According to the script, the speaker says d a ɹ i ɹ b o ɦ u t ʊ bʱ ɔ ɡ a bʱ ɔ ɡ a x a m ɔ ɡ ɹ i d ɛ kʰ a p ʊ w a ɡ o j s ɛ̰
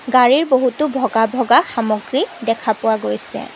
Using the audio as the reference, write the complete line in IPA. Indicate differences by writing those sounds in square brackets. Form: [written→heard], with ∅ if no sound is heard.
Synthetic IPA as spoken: [d→ɡ] a ɹ i ɹ b o ɦ u t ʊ bʱ ɔ ɡ a bʱ ɔ ɡ a x a m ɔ ɡ ɹ i d ɛ kʰ a p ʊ w a ɡ o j s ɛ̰